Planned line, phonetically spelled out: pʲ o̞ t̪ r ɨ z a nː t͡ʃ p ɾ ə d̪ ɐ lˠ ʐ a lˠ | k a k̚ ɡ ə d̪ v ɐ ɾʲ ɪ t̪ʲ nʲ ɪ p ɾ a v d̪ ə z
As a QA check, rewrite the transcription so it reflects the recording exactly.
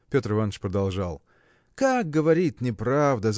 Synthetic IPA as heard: pʲ o̞ t̪ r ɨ v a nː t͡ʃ p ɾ ə d̪ ɐ lˠ ʐ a lˠ | k a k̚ ɡ ə v ɐ ɾʲ i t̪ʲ nʲ ɪ p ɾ a v d̪ ə z

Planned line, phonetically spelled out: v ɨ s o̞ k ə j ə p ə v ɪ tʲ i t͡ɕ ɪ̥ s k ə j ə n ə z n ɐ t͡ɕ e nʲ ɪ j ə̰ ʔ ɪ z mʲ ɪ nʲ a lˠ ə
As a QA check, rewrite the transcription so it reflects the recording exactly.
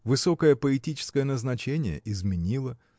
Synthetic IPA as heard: v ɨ s o̞ k ə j ə p ə ɪ tʲ i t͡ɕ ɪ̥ s k ə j ə n ə z n ɐ t͡ɕ e nʲ ɪ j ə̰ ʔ ɪ z mʲ ɪ nʲ i lˠ ə

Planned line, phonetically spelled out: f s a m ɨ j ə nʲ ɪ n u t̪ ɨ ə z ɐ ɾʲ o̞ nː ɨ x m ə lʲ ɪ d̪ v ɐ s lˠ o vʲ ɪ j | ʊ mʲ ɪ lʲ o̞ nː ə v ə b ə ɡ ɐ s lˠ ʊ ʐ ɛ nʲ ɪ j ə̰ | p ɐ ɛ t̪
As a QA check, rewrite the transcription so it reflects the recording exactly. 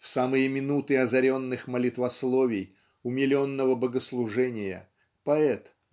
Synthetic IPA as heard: f s a m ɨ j ə mʲ ɪ n u t̪ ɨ ɐ z ɐ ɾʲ o̞ nː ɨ x m ə lʲ ɪ t̪ v ɐ s lˠ o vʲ ɪ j | ʊ mʲ ɪ lʲ o̞ nː ə v ə b ə ɡ ə s lˠ ʊ ʐ ɛ nʲ ɪ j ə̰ | p ɐ ɛ t̪

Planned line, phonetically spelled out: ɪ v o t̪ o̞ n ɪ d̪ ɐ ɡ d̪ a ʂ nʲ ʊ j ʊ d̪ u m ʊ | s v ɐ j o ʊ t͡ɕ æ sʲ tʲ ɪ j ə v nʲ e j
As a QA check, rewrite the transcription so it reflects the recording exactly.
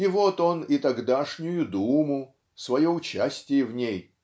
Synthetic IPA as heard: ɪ v o t̪ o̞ n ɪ t̪ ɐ ɡ d̪ a ʂ nʲ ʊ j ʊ d̪ u m ʊ | s v ɐ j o ʊ t͡ɕ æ sʲ tʲ ɪ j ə v nʲ e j

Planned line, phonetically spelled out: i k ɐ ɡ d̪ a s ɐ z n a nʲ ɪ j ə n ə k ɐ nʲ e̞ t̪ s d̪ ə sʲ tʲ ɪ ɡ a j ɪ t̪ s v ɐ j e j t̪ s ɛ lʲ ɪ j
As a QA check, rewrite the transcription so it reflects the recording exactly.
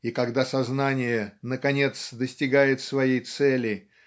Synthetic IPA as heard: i k ɐ ɡ d̪ a s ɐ z n a nʲ ɪ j ə n ə k ɐ nʲ e̞ t̪ s d̪ ə sʲ tʲ ɪ ɡ a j ɪ t̪ s v ɐ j e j t̪ s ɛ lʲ ɪ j

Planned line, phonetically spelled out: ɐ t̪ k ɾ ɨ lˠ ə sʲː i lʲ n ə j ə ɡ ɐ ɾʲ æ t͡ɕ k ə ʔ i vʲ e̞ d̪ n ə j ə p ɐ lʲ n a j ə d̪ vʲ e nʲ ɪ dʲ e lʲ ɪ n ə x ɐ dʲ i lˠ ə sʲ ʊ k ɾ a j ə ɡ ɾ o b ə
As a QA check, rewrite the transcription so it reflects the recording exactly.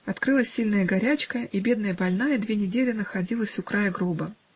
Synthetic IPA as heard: ɐ t̪ k ɾ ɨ lˠ ə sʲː i lʲ n ə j ə ɡ ɐ ɾʲ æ t͡ɕ k ə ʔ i bʲ e̞ d̪ n ə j ə b ɐ lʲ n a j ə d̪ vʲ e nʲ ɪ dʲ e lʲ ɪ n ə x ɐ dʲ i lˠ ə sʲ ʊ k ɾ a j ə ɡ ɾ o b ə

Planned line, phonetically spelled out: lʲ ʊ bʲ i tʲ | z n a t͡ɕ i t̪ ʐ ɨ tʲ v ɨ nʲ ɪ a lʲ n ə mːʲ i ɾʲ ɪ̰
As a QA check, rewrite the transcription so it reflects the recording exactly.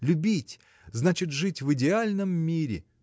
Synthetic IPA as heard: lʲ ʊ bʲ i tʲ | z n a t͡ɕ ɪ t̪ ʐ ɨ tʲ v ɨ dʲ ɪ a lʲ n ə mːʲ i ɾʲ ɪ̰

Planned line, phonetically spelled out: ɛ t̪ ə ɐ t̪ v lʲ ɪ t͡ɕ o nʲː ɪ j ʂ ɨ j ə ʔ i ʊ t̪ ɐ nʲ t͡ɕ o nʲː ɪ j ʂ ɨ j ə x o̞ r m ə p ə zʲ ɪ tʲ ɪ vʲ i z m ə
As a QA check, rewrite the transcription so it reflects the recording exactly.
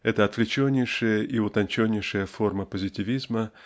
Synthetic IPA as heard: ɛ t̪ ə ɐ t̪ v lʲ ɪ t͡ɕ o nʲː ɪ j ʂ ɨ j ə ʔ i ʊ t̪ ɐ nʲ t͡ɕ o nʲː ɪ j ʂ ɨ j ə f o̞ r m ə p ə zʲ ɪ tʲ ɪ vʲ i z m ə

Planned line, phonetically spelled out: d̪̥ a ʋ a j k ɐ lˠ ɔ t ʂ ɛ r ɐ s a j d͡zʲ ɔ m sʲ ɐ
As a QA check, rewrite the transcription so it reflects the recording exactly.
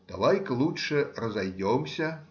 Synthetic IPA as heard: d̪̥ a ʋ a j k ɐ lˠ u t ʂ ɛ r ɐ z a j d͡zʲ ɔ m sʲ ɐ

